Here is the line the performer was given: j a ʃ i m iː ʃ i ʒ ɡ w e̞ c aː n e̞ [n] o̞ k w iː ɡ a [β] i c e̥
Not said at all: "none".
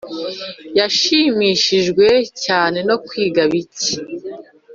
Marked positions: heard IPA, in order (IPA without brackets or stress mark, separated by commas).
n, β